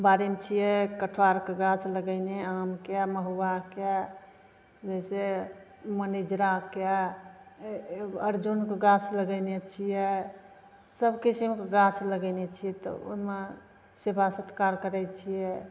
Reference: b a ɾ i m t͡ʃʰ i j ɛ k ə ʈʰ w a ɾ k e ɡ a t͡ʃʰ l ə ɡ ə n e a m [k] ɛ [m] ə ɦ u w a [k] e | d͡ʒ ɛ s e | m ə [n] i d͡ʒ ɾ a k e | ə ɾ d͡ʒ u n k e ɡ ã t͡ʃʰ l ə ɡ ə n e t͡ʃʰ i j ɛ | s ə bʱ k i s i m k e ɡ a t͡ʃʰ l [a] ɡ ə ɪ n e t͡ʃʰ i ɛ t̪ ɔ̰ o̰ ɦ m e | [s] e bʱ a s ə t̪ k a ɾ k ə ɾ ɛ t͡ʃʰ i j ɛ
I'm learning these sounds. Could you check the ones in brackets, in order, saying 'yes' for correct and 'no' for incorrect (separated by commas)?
yes, yes, yes, yes, no, yes